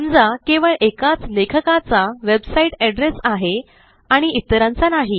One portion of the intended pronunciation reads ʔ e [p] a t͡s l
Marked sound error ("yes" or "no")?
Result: yes